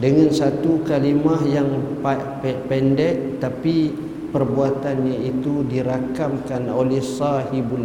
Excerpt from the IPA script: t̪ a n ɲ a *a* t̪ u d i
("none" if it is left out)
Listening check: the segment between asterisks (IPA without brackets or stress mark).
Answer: i